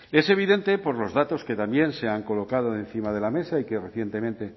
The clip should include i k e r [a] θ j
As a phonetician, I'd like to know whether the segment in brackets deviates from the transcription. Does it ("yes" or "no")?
yes